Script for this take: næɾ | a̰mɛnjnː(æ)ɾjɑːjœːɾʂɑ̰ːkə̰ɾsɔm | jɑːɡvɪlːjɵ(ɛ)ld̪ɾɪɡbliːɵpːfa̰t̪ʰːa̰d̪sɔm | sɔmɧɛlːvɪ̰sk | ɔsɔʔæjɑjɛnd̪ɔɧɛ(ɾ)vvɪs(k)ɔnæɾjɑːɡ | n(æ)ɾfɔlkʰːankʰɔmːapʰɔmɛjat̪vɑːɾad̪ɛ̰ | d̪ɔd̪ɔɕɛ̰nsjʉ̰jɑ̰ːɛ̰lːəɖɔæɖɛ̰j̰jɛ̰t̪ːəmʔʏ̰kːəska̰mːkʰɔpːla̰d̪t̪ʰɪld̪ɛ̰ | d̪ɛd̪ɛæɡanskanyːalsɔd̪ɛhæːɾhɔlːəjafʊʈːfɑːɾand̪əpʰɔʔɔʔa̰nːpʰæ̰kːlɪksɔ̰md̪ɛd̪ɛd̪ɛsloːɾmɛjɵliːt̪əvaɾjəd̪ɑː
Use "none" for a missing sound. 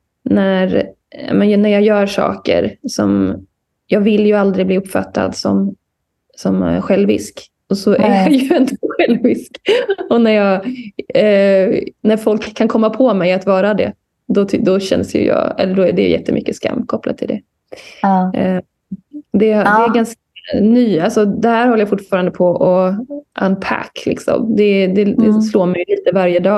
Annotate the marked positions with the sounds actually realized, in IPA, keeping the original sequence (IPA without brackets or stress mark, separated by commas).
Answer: æ, a, l, k, æ